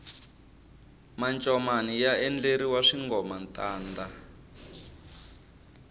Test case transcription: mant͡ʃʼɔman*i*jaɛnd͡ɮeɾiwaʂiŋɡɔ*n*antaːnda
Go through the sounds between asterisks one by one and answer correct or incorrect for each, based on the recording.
correct, incorrect: m

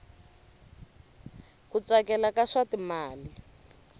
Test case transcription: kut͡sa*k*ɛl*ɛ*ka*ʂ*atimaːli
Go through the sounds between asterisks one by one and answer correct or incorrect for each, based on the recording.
correct, incorrect: a, correct

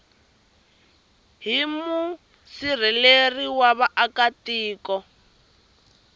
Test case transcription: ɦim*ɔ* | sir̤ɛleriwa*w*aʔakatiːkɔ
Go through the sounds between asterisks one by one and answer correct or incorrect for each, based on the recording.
incorrect: u, incorrect: β

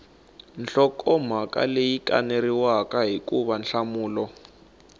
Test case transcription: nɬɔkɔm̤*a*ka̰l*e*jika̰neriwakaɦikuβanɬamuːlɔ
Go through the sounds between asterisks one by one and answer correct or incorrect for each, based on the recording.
correct, correct

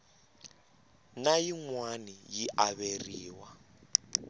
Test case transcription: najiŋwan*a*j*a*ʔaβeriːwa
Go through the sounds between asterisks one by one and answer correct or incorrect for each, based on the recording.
incorrect: i, incorrect: i

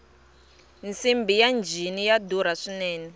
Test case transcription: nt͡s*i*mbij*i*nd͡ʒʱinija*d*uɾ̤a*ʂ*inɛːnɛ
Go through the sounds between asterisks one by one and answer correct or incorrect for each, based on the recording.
correct, incorrect: a, correct, correct

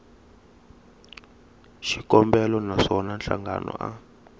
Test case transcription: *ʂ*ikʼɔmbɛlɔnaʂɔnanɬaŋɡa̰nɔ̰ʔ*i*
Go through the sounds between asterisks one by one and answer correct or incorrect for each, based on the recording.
incorrect: ʃ, incorrect: a

